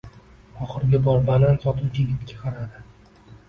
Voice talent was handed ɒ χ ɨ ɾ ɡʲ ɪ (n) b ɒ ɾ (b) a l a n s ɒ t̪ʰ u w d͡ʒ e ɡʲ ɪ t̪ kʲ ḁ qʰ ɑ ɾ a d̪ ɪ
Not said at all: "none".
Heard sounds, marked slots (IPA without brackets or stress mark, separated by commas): none, b